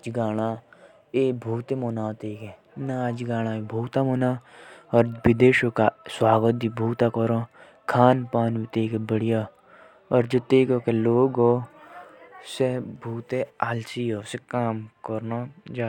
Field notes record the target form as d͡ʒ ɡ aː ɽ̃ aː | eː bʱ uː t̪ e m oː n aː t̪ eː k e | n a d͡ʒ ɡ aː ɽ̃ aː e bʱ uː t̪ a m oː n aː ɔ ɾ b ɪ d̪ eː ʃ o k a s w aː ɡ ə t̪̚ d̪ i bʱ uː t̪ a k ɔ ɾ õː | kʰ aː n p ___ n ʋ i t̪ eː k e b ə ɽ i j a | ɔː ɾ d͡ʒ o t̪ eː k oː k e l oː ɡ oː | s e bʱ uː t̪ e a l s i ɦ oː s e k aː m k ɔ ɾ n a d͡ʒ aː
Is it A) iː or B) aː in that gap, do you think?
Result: B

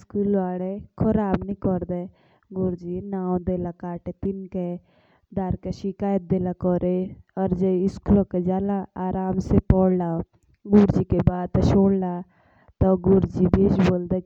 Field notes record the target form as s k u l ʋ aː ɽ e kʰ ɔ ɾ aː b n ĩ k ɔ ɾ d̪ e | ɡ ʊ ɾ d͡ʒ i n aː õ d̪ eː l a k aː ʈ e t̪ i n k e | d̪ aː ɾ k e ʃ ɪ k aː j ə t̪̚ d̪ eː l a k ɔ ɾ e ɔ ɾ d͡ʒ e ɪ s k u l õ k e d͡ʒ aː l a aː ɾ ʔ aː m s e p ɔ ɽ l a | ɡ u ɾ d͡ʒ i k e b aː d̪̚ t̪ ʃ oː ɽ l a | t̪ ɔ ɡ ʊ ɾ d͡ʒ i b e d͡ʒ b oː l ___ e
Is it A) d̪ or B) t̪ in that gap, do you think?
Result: A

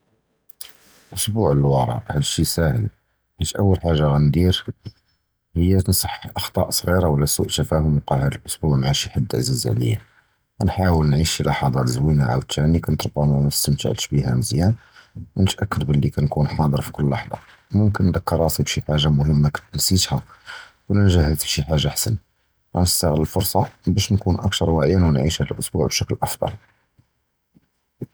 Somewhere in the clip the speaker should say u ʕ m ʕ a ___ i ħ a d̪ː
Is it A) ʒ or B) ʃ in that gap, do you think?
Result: B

